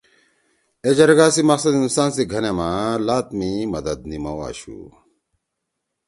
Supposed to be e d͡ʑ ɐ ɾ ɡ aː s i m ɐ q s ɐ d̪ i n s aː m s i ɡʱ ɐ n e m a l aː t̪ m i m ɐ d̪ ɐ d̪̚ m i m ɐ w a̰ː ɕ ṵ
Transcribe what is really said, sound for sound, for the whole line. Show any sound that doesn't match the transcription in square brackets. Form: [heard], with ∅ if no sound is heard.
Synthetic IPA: e d͡ʑ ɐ ɾ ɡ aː s i m ɐ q s ɐ d̪ i n s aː [n] s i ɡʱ ɐ n e m a l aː t̪ m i m ɐ d̪ ɐ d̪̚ [n] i m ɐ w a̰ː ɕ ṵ